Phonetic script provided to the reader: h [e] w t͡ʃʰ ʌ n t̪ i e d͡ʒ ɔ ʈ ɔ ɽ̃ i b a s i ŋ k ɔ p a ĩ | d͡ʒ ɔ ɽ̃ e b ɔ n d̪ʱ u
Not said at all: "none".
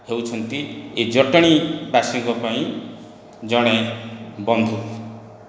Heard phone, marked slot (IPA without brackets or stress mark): e